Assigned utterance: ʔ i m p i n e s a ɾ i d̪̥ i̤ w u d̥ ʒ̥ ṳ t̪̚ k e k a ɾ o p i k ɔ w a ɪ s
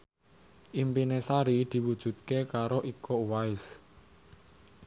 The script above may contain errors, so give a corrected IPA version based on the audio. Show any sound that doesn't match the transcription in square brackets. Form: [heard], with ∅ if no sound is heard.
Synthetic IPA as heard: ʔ i m p i n e s a ɾ i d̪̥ i̤ w u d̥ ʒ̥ ṳ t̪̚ k e k a ɾ o [ʔ] i k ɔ w a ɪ s